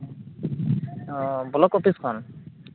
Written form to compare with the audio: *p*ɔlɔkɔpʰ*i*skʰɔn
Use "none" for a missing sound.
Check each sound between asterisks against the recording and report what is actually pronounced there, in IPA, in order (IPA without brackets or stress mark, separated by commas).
b, i